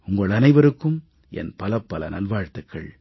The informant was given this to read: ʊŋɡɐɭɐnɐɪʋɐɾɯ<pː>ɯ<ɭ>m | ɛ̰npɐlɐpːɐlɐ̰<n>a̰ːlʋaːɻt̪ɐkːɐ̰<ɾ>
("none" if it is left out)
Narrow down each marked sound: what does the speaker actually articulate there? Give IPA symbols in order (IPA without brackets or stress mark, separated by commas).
kː, none, n, ɭ